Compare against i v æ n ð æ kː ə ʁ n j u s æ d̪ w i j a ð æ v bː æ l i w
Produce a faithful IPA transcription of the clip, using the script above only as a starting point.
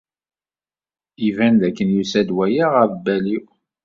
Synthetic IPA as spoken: i v æ n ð æ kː ə n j u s æ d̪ w æ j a ʁ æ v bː æ l i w